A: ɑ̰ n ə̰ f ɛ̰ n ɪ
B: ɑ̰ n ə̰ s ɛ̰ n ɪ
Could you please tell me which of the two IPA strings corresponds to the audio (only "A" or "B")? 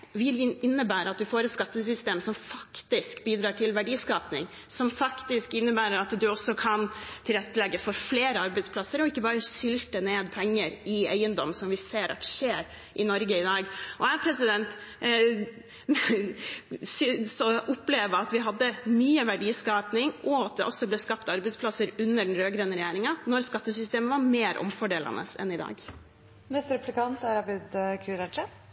B